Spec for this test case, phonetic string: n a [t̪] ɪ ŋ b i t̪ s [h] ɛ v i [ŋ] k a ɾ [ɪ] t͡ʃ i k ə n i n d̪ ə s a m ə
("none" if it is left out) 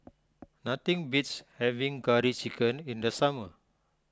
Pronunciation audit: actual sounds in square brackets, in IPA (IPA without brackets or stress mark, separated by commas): t̪, h, ŋ, i